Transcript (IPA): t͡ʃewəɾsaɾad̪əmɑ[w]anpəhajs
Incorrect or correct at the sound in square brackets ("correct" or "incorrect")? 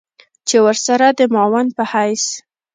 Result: correct